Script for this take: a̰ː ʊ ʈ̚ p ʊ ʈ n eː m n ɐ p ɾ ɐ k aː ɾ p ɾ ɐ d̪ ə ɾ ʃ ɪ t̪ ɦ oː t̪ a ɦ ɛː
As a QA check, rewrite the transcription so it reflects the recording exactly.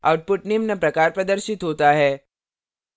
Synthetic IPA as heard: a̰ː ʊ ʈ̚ p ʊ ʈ n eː m n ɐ p ɾ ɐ k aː ɾ p ɾ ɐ d̪ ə ɾ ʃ ɪ t̪ ɦ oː t̪ a ɦ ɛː